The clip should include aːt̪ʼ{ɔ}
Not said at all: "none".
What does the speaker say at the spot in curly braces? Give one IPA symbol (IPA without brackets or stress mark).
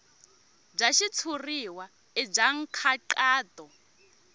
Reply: ɔ